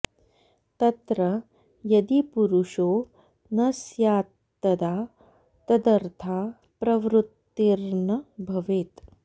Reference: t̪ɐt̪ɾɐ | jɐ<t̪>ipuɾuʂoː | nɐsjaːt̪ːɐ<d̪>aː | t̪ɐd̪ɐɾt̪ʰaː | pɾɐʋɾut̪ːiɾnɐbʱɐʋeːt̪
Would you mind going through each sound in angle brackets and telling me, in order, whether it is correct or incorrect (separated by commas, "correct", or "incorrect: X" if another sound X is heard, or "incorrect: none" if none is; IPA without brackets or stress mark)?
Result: incorrect: d̪, correct